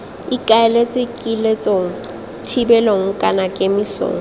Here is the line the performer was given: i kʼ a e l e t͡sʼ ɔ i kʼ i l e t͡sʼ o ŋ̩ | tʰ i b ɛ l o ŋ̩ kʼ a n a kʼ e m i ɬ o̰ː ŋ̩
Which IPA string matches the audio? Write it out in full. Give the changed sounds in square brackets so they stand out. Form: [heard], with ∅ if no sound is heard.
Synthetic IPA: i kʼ a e l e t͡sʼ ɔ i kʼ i l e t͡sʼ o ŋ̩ | tʰ i b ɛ l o ŋ̩ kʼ a n a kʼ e m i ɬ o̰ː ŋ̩